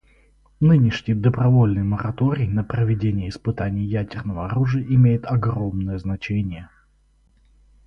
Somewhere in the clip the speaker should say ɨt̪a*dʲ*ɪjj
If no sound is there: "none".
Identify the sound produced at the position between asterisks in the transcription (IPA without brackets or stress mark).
nʲ